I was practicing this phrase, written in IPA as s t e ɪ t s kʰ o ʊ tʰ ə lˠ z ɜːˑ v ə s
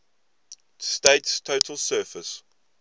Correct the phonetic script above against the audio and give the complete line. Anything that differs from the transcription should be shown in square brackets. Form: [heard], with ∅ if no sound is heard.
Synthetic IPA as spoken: s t e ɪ t s [tʰ] o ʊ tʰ ə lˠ [s] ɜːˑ [f] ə s

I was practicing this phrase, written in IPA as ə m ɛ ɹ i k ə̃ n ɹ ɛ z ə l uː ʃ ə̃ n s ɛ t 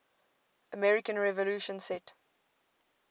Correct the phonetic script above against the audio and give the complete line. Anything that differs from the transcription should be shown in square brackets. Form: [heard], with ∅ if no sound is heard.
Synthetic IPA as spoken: ə m ɛ ɹ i k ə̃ n ɹ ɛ [v] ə l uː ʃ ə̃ n s ɛ t

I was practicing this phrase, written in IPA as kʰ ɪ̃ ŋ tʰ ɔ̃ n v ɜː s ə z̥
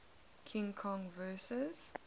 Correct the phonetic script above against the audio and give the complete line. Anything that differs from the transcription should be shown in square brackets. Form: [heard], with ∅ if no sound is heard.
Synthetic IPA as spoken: kʰ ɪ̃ ŋ [kʰ] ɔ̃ [ŋ] v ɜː s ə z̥

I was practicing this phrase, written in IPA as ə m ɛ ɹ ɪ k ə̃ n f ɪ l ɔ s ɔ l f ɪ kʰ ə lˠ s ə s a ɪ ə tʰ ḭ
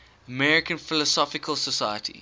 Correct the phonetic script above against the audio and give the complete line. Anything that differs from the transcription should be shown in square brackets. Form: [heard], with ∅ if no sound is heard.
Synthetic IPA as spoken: ə m ɛ ɹ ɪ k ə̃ n f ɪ l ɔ s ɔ [∅] f ɪ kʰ ə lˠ s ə s a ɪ ə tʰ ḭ

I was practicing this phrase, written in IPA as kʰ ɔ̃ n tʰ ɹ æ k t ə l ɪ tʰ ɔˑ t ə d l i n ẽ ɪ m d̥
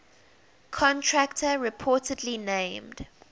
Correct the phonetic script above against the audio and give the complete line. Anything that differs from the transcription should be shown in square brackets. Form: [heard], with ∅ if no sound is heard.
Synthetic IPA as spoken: kʰ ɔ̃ n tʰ ɹ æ k t ə [ɹ] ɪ [pʰ] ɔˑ t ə d l i n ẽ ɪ m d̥

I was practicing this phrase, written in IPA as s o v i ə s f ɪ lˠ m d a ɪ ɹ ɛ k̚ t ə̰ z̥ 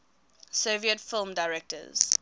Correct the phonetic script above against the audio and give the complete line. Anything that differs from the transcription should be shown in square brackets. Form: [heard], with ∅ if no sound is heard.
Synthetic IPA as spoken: s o v i ə [t] f ɪ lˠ m d a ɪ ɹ ɛ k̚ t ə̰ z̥

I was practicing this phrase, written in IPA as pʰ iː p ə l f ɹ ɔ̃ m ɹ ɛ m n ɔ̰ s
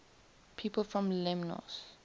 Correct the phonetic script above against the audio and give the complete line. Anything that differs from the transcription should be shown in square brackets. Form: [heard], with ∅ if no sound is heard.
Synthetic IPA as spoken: pʰ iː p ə l f ɹ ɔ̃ m [l] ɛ m n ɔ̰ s

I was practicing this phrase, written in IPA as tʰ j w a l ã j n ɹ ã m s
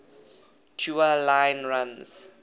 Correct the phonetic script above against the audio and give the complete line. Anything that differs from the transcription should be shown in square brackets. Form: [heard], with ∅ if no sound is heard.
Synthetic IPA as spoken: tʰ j [u] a l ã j n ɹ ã [n] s

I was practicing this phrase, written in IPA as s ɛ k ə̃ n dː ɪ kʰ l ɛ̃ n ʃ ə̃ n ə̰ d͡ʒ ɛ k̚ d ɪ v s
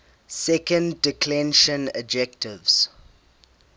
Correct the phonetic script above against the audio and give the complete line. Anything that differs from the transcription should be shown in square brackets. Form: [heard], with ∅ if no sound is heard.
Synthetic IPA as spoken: s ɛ k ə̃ n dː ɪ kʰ l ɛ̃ n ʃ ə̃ n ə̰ d͡ʒ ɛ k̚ [t] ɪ v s

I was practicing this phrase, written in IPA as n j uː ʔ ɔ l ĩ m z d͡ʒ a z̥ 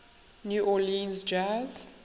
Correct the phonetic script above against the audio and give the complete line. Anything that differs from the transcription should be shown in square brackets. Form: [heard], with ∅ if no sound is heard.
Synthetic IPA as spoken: n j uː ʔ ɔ l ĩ [n] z d͡ʒ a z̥

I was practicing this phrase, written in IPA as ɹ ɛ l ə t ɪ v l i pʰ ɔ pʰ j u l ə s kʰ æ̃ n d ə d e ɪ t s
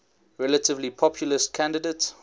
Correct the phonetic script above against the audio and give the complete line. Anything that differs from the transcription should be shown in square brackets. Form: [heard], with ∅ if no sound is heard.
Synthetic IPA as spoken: ɹ ɛ l ə t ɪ v l i pʰ ɔ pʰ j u l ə s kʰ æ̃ n d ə d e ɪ t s

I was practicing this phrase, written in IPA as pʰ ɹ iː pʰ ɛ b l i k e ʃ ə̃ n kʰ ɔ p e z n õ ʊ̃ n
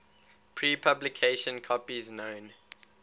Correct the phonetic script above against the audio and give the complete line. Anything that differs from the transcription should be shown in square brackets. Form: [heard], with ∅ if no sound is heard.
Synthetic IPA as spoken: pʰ ɹ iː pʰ [a] b l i [kʰ] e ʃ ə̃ n kʰ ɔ p [i] z n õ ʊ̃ n

